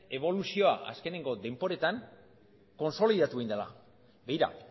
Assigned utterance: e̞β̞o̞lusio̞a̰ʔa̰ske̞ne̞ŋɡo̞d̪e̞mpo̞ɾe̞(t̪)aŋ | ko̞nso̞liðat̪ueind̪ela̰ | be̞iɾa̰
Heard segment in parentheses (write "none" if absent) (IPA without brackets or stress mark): t̪